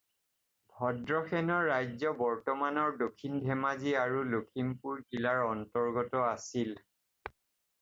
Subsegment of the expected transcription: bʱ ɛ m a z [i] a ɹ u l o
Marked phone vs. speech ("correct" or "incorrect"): correct